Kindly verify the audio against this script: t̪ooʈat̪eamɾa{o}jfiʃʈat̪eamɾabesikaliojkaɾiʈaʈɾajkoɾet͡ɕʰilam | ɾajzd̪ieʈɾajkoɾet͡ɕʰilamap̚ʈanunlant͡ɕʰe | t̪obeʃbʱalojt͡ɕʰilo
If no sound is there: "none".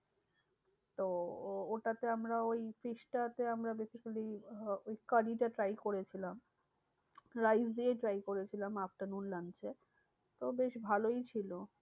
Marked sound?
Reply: o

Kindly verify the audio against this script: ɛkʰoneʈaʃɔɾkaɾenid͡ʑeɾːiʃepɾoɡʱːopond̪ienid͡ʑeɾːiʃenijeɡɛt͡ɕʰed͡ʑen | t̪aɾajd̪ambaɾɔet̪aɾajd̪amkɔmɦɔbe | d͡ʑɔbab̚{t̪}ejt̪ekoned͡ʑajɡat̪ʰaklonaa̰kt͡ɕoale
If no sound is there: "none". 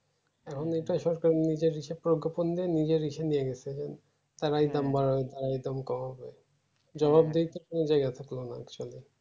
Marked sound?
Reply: d̪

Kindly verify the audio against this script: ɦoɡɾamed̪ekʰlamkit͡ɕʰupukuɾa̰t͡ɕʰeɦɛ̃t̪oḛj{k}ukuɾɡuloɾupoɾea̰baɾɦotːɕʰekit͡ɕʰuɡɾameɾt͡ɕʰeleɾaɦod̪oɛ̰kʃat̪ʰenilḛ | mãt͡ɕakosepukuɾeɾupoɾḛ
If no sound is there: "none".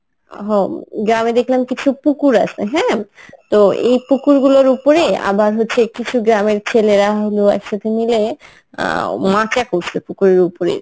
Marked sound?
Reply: p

